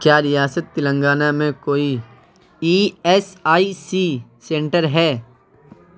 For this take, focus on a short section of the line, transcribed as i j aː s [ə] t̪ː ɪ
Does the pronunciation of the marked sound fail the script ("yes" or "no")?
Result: no